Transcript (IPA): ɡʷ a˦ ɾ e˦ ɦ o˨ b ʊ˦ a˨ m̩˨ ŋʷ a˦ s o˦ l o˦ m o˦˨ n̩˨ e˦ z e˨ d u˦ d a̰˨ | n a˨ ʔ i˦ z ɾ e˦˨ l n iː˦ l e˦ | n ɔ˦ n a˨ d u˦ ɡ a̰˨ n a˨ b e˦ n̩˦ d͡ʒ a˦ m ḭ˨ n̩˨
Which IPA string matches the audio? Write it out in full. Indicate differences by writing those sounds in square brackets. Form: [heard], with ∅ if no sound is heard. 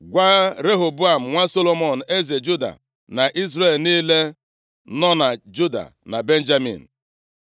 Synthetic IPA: ɡʷ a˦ ɾ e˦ ɦ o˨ b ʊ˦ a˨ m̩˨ ŋʷ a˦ s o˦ l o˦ m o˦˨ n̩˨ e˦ z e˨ [d͡ʒ] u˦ d a̰˨ | n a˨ ʔ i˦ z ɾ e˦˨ l n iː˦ l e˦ | n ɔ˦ n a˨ [d͡ʒ] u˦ [d] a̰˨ n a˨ b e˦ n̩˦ d͡ʒ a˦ m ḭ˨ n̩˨